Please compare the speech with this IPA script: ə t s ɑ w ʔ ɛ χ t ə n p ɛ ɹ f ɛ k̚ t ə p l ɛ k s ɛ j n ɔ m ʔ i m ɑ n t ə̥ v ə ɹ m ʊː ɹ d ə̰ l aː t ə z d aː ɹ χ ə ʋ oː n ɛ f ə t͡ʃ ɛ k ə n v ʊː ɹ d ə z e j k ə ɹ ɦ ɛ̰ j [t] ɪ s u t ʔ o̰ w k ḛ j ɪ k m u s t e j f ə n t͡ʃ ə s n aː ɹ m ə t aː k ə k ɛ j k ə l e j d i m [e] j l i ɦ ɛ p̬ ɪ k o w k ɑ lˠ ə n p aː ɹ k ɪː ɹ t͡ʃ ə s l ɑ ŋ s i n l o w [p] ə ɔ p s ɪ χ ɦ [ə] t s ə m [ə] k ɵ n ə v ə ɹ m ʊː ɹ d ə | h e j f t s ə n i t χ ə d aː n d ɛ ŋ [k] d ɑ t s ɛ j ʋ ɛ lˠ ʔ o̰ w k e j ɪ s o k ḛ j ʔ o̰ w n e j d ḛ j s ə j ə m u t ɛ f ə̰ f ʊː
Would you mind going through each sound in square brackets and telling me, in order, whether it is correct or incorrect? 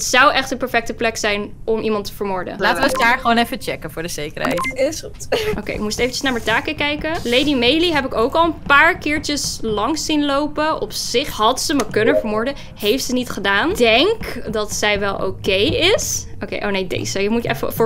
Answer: correct, correct, correct, incorrect, correct, correct

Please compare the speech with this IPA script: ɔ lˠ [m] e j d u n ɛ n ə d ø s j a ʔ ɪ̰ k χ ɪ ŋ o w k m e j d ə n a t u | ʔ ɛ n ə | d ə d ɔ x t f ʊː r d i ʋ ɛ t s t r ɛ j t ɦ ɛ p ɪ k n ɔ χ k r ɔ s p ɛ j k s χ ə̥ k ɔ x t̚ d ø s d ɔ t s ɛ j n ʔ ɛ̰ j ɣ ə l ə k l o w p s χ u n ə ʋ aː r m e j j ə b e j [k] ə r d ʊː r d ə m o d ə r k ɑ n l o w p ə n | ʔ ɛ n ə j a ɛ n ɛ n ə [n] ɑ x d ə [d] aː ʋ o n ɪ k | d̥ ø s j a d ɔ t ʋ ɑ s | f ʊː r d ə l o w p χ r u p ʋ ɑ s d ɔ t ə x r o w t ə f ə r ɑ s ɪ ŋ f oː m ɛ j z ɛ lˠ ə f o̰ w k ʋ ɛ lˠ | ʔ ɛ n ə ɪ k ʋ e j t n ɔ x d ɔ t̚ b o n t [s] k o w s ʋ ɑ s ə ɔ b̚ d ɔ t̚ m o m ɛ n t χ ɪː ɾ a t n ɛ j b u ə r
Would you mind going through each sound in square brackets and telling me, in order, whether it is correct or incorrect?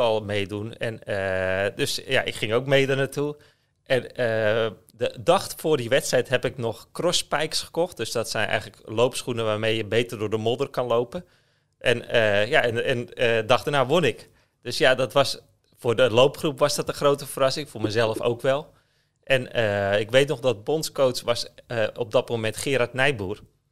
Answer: correct, incorrect, incorrect, incorrect, correct

